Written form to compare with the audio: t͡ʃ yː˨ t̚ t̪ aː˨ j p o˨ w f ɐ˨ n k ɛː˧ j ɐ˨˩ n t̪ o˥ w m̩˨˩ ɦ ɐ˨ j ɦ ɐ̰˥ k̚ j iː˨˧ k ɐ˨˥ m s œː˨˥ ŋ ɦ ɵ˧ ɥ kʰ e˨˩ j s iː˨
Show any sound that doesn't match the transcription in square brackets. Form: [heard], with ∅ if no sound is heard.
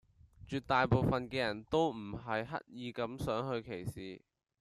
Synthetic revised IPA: t͡ʃ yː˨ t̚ t̪ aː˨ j p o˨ w f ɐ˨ n k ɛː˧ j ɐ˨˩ n t̪ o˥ w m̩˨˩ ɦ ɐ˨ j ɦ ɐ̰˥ [t̚] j iː˨˧ k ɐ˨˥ m s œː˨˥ ŋ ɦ ɵ˧ ɥ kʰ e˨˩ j s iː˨